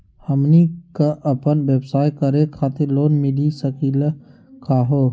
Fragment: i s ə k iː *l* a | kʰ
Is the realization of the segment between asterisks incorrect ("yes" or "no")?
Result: no